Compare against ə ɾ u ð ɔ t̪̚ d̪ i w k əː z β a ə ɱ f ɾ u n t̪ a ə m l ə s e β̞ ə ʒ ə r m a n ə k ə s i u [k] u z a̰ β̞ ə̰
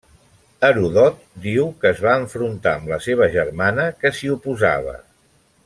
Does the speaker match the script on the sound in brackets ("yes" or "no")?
no